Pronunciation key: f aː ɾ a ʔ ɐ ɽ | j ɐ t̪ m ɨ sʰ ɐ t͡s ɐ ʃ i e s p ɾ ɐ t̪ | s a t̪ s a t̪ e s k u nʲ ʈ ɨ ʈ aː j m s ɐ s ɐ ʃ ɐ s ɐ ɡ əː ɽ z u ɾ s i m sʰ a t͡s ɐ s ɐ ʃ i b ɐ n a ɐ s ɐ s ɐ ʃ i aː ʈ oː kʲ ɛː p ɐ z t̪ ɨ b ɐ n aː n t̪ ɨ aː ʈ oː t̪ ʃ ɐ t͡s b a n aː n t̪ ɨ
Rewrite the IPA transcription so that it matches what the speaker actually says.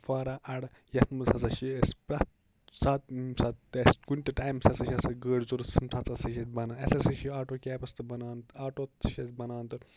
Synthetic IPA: f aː ɾ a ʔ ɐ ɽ | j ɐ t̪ m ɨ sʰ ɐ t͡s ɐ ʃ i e s p ɾ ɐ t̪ | s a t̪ s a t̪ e s k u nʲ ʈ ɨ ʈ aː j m s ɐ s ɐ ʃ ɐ s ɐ ɡ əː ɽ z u ɾ s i m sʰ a t͡s ɐ s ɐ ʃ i b ɐ n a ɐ s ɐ s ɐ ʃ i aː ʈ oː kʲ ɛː p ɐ s t̪ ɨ b ɐ n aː n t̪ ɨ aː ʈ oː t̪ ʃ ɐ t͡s b ɐ n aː n t̪ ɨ

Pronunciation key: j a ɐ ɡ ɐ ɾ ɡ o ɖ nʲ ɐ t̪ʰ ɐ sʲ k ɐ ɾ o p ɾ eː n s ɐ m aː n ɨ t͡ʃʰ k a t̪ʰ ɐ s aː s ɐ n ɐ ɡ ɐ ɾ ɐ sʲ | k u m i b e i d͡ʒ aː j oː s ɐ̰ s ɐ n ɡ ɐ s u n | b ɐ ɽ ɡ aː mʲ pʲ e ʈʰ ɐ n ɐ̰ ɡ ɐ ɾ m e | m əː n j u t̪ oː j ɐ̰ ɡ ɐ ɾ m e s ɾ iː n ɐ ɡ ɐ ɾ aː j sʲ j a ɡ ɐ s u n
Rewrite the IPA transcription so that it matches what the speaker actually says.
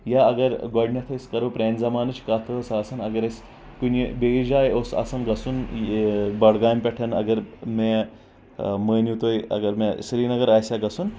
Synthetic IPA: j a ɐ ɡ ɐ ɾ ɡ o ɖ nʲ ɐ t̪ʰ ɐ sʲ k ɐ ɾ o p ɾ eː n z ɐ m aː n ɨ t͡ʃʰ k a t̪ʰ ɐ s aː s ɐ n ɐ ɡ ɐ ɾ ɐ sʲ | k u n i b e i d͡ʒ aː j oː s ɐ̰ s ɐ n ɡ ɐ s u n | b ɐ ɽ ɡ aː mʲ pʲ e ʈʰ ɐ n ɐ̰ ɡ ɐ ɾ m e | m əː n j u t̪ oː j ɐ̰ ɡ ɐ ɾ m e s ɾ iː n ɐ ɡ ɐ ɾ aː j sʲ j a ɡ ɐ s u n

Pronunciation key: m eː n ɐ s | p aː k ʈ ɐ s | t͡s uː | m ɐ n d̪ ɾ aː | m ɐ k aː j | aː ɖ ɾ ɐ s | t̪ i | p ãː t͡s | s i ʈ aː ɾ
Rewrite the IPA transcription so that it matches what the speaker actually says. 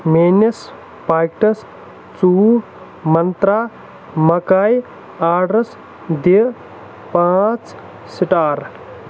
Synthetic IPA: m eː n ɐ s | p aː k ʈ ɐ s | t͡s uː | m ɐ n t̪ ɾ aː | m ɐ k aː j | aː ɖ ɾ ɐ s | d̪ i | p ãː t͡s | s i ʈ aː ɾ

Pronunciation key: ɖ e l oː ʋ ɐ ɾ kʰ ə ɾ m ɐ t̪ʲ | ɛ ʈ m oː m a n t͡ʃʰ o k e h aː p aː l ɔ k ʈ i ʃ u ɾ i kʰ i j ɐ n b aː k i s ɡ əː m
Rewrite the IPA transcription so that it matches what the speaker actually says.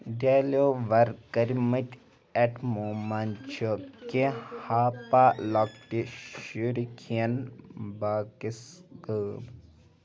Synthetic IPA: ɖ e l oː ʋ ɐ ɾ k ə ɾ m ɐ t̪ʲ | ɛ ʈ m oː m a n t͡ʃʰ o k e h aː p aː l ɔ k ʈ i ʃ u ɾ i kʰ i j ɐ n b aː k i s ɡ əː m

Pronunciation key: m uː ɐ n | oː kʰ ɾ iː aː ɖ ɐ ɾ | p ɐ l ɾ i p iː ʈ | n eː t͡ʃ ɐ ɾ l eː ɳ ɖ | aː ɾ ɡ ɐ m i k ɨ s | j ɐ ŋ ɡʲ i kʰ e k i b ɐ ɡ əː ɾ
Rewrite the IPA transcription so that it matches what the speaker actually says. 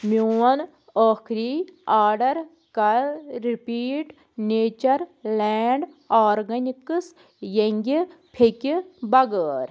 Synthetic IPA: m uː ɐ n | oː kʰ ɾ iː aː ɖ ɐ ɾ | k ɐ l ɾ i p iː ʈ | n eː t͡ʃ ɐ ɾ l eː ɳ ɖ | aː ɾ ɡ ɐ n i k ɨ s | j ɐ ŋ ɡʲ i pʰ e k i b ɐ ɡ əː ɾ

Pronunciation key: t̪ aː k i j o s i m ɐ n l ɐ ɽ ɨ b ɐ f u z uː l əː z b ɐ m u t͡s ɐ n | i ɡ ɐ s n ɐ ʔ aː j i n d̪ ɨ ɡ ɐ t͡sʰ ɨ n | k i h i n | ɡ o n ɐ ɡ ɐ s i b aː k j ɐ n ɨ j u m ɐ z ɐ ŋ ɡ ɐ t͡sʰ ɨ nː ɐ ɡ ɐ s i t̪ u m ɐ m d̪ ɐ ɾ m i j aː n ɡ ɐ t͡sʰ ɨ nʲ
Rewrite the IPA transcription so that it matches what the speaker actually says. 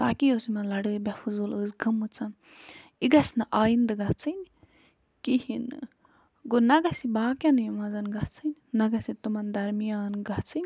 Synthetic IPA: t̪ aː k i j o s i m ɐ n l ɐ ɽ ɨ b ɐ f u z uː l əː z ɡ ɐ m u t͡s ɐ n | i ɡ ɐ s n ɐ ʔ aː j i n d̪ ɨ ɡ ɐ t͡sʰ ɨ n | k i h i n | ɡ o n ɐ ɡ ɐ s i b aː k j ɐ n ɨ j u m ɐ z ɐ n ɡ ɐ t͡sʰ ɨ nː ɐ ɡ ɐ s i t̪ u m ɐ n d̪ ɐ ɾ m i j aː n ɡ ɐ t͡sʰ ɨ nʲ

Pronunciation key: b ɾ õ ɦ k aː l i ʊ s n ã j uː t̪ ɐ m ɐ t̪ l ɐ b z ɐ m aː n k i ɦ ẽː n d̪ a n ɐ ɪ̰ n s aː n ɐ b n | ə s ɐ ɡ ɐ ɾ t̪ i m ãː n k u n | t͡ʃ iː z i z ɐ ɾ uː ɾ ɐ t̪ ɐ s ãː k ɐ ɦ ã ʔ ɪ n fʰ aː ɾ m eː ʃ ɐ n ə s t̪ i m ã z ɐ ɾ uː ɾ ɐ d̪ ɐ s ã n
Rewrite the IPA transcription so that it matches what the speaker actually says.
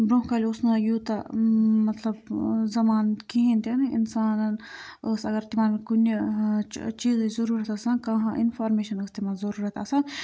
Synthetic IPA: b ɾ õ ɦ k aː l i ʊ s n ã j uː t̪ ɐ m ɐ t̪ l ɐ b z ɐ m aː n k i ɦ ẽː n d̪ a n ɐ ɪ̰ n s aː n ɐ n | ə s ɐ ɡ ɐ ɾ t̪ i m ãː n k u n | t͡ʃ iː z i z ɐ ɾ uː ɾ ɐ t̪ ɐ s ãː k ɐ ɦ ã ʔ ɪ n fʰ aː ɾ m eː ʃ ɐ n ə s t̪ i m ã z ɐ ɾ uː ɾ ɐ t̪ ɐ s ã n

